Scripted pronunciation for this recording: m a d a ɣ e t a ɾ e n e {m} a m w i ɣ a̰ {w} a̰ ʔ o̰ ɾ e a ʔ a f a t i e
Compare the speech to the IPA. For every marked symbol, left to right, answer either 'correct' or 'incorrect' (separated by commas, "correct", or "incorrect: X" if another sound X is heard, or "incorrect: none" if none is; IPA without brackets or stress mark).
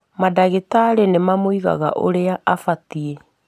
correct, incorrect: ɣ